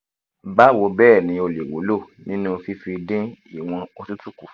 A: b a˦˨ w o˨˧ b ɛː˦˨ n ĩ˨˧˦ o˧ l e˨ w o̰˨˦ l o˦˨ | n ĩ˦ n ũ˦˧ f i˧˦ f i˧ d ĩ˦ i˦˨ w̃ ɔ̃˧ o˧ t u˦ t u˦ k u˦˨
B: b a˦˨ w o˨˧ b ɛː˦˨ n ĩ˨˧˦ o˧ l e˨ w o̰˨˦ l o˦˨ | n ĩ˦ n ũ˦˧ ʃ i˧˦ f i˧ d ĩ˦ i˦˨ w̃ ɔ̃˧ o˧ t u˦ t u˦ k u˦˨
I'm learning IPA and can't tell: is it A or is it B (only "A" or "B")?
A